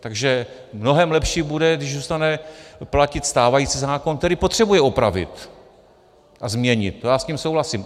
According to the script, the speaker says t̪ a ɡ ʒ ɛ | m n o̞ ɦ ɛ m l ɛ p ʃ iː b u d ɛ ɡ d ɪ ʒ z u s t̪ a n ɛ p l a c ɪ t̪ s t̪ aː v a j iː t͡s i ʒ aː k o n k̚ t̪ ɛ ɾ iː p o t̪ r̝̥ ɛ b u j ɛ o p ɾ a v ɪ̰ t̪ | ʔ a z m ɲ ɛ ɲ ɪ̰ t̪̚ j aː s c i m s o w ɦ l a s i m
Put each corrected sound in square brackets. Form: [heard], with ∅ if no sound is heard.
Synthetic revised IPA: t̪ a ɡ ʒ ɛ | m n o̞ ɦ ɛ m l ɛ p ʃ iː b u d ɛ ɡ d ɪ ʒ z u s t̪ a n ɛ p l a c ɪ t̪ s t̪ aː v a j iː t͡s i [z] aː k o n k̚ t̪ ɛ ɾ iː p o t̪ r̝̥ ɛ b u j ɛ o p ɾ a v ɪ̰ t̪ | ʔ a z m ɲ ɛ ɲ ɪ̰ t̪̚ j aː s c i m s o w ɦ l a s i m

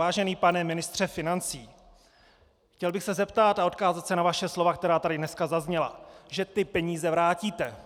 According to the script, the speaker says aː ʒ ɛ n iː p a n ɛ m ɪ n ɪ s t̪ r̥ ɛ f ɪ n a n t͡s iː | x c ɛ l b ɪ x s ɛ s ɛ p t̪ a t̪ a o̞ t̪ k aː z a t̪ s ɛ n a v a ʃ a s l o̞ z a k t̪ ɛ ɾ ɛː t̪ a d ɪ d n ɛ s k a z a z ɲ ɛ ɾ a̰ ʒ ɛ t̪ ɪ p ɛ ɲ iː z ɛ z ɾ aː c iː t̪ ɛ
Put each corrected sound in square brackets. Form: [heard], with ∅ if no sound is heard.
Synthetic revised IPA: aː ʒ ɛ n iː p a n ɛ m ɪ n ɪ s t̪ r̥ ɛ f ɪ n a n t͡s iː | x c ɛ l b ɪ x s ɛ [z] ɛ p t̪ a t̪ a o̞ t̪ k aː z a t̪ s ɛ n a v a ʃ [ɛ] s l o̞ [v] a k t̪ ɛ ɾ [aː] t̪ a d ɪ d n ɛ s k a z a z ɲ ɛ [l] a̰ ʒ ɛ t̪ ɪ p ɛ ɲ iː z ɛ [v] ɾ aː c iː t̪ ɛ

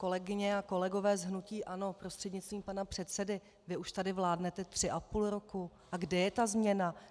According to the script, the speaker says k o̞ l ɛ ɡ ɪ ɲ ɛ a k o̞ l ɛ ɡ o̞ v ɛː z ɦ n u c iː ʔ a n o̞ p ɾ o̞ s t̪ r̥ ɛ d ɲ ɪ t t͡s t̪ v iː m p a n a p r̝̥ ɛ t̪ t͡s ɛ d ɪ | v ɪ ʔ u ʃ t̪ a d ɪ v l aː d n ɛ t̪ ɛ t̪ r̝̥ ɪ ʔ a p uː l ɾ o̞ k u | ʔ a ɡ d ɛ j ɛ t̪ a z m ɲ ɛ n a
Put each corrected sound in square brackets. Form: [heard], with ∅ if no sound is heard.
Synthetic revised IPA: k o̞ l ɛ ɡ ɪ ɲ ɛ a k o̞ l ɛ ɡ o̞ v ɛː z ɦ n u c iː ʔ a n o̞ p ɾ o̞ s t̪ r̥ ɛ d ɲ ɪ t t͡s t̪ v iː m p a n a p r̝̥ ɛ t̪ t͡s ɛ d ɪ | v ɪ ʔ u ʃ t̪ a d ɪ v l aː d n ɛ t̪ ɛ t̪ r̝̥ ɪ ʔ a p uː l ɾ o̞ k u | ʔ a ɡ d ɛ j ɛ t̪ a z m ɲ ɛ n a

